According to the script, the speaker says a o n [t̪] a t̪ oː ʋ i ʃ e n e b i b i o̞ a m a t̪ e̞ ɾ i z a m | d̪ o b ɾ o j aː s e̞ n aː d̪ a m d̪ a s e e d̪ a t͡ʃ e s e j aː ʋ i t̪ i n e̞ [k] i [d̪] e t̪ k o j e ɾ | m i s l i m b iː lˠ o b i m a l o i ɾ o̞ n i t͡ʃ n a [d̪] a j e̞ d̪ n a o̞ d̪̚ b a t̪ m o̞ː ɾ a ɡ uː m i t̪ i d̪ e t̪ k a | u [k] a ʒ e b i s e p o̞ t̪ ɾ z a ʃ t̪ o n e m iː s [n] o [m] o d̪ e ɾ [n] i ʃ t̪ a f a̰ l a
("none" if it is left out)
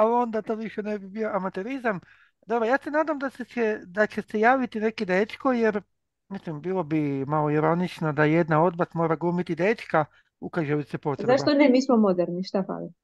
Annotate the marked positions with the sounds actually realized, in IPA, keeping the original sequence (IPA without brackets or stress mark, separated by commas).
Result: d̪, k, d̪, d̪, k, m, m, n